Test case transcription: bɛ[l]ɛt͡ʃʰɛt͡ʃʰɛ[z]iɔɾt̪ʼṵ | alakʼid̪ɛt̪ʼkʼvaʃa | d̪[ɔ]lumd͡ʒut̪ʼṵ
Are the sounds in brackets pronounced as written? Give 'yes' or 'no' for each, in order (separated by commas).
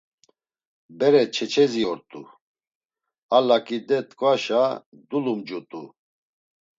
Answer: no, yes, no